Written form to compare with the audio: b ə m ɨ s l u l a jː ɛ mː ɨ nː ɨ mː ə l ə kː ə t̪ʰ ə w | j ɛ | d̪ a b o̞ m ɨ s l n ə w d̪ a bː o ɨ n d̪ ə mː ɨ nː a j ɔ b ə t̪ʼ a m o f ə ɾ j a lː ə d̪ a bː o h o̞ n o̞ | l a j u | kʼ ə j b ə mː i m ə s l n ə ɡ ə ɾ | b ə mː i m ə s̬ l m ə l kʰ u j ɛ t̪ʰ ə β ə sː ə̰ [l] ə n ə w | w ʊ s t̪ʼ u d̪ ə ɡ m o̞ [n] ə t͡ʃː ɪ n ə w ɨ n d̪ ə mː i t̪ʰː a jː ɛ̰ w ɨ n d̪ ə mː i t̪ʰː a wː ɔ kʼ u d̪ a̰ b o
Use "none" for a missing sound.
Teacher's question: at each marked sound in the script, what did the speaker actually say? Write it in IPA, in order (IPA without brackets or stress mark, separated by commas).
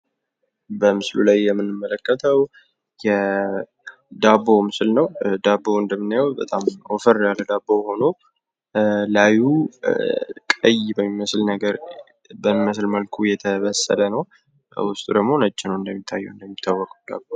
l, n